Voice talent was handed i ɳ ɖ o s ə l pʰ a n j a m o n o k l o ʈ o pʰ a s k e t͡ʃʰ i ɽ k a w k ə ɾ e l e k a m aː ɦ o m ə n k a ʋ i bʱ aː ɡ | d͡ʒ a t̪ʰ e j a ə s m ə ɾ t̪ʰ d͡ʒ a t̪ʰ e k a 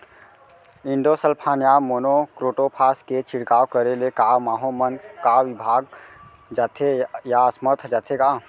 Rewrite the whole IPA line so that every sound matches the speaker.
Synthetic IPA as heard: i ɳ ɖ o s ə l pʰ a n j a m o n o k ɾ o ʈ o pʰ a s k e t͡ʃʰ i ɽ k a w k ə ɾ e l e k a m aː ɦ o m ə n k a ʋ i bʱ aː ɡ | d͡ʒ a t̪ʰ e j a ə s m ə ɾ t̪ʰ d͡ʒ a t̪ʰ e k a